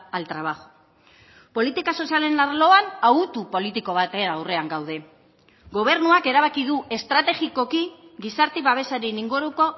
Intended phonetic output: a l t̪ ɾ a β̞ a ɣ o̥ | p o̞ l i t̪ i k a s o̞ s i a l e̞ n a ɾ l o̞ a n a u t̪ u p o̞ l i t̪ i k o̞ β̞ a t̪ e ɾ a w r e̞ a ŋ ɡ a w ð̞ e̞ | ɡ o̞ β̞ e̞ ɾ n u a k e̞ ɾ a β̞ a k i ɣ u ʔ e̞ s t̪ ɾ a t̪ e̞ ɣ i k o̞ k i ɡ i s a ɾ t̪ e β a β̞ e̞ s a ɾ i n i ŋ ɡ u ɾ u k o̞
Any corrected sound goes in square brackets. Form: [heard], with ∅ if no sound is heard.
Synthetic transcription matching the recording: a l t̪ ɾ a β̞ a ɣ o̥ | p o̞ l i t̪ i k a s o̞ s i a l e̞ n a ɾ l o̞ a n a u t̪ u p o̞ l i t̪ i k o̞ β̞ a t̪ e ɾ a w r e̞ a ŋ ɡ a w ð̞ e̞ | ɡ o̞ β̞ e̞ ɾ n u a k e̞ ɾ a β̞ a k i [ð] u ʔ e̞ s t̪ ɾ a t̪ e̞ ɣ i k o̞ k i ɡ i s a ɾ t̪ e β a β̞ e̞ s a ɾ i n i ŋ ɡ u ɾ u k o̞

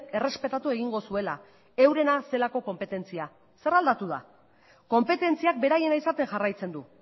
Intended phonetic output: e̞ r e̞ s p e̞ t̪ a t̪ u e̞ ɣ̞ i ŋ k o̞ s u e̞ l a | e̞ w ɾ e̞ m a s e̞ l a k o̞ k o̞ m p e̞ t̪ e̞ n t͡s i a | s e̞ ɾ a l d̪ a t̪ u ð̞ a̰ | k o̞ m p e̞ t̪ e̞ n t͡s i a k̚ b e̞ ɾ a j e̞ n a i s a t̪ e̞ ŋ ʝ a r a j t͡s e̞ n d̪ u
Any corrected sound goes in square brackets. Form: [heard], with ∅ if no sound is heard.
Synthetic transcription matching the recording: e̞ r e̞ s p e̞ t̪ a t̪ u e̞ ɣ̞ i ŋ [ɡ] o̞ s u e̞ l a | e̞ w ɾ e̞ [n] a s e̞ l a k o̞ k o̞ m p e̞ t̪ e̞ n t͡s i a | s e̞ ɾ a l d̪ a t̪ u ð̞ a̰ | k o̞ m p e̞ t̪ e̞ n t͡s i a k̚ b e̞ ɾ a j e̞ n a i s a t̪ e̞ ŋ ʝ a r a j t͡s e̞ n d̪ u

